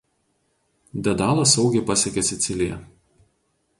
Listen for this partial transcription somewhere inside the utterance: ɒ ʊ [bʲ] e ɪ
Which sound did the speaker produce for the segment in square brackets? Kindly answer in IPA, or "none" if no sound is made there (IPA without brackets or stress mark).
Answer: ɡʲ